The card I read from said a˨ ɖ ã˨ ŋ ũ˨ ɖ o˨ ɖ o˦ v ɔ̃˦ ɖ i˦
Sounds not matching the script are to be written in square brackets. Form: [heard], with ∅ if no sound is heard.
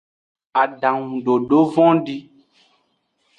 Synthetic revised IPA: a˨ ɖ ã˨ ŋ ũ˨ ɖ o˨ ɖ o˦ v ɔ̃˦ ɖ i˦